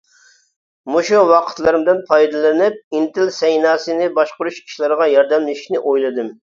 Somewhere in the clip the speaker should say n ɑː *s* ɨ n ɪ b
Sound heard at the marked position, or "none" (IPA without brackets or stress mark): s